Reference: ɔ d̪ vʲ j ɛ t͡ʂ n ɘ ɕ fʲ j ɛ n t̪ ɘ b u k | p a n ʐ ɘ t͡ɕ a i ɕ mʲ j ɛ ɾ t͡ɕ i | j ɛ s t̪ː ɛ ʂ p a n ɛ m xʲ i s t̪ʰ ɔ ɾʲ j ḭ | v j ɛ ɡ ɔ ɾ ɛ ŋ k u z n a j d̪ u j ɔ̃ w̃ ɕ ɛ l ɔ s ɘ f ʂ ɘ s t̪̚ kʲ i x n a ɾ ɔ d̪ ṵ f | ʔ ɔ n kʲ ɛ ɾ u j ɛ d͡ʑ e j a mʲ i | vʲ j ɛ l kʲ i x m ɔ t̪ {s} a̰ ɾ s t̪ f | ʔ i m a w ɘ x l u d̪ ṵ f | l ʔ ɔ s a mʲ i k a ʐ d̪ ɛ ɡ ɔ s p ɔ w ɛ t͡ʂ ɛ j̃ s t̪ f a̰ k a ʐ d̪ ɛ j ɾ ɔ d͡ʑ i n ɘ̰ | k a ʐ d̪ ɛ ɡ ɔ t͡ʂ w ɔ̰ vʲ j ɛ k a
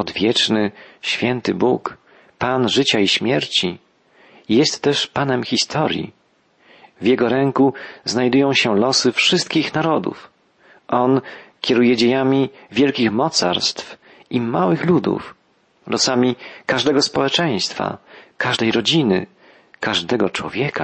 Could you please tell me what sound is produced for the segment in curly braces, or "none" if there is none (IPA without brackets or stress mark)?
s